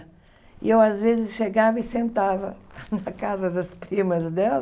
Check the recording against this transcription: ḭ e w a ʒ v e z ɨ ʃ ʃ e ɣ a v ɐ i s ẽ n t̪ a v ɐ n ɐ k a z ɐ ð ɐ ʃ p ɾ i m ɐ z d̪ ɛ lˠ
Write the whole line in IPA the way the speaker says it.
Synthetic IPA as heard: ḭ e w a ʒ v e z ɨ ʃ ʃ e ɣ a v ɐ i s ẽ n t̪ a v ɐ n ɐ k a z ɐ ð ɐ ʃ p ɾ i m ɐ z d̪ ɛ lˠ